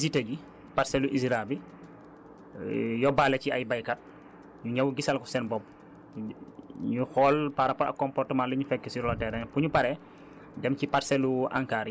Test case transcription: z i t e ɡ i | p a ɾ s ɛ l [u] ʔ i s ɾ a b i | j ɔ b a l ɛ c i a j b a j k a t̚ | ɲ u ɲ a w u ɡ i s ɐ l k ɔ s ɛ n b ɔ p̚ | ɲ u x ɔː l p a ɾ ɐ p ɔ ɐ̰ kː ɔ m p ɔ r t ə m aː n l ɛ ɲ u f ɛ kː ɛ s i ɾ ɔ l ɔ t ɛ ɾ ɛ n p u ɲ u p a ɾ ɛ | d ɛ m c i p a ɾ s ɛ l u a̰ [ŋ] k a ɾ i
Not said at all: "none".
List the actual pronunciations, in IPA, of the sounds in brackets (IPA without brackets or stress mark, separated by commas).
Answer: u, ŋ